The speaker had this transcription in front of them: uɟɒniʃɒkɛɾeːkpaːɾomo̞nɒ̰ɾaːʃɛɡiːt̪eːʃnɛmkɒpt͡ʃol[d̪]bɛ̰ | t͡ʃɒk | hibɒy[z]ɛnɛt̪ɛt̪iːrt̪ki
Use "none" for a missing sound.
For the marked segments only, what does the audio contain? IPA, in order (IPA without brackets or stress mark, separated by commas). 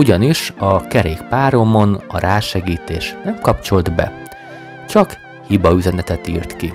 d̪, z